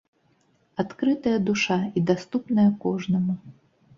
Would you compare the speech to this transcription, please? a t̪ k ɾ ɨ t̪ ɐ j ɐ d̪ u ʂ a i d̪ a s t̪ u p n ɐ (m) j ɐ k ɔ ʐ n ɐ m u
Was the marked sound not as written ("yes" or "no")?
yes